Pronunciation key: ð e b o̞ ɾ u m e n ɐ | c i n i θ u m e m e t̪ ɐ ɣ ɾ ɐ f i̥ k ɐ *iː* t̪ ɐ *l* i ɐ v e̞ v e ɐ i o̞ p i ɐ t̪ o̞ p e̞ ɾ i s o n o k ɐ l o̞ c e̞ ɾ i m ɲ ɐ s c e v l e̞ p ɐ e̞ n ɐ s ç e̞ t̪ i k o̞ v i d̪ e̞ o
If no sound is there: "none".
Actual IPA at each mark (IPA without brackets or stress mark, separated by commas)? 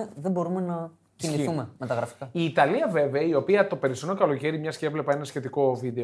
iː, l